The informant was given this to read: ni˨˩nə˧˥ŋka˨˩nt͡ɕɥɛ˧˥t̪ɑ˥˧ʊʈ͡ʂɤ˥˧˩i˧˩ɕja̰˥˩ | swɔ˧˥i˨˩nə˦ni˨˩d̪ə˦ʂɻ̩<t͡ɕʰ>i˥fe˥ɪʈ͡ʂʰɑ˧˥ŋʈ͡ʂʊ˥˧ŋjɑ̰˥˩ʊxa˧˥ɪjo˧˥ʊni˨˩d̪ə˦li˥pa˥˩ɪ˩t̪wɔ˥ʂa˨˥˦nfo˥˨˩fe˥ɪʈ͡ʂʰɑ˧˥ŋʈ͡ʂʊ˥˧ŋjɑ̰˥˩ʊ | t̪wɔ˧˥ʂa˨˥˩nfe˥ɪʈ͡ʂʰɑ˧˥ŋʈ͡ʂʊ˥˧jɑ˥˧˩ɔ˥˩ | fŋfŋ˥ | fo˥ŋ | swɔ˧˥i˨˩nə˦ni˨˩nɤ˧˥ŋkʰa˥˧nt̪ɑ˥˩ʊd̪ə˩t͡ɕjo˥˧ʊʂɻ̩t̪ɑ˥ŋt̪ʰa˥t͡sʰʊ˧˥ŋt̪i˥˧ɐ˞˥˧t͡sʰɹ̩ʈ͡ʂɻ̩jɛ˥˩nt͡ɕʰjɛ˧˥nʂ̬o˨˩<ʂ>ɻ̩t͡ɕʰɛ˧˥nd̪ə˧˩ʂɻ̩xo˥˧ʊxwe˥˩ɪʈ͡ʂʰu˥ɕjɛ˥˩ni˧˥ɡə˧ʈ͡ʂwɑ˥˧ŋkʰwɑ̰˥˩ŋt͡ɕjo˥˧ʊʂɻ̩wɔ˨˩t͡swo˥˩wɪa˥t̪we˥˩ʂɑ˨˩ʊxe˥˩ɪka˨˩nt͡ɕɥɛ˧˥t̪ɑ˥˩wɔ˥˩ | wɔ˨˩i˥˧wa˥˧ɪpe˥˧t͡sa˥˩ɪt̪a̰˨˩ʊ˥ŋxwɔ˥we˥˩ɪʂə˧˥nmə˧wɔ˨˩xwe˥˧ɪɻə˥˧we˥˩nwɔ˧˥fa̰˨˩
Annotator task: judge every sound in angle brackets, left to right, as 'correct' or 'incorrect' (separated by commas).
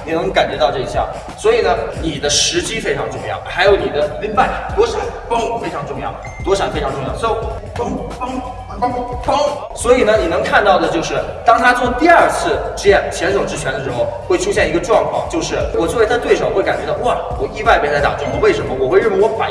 incorrect, incorrect